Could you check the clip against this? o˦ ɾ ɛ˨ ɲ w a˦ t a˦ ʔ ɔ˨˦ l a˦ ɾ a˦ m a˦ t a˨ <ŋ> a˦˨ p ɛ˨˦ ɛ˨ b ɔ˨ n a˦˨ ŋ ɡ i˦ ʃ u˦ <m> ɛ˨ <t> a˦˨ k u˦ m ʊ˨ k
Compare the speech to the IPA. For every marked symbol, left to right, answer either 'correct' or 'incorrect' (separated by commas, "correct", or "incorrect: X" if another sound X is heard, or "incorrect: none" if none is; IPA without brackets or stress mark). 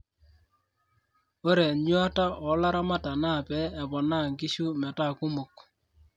incorrect: n, correct, correct